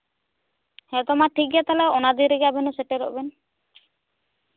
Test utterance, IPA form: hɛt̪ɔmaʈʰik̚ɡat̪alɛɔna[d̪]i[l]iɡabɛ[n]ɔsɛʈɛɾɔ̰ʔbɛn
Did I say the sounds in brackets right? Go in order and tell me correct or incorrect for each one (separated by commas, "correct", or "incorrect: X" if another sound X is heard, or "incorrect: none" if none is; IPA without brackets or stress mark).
correct, incorrect: ɾ, correct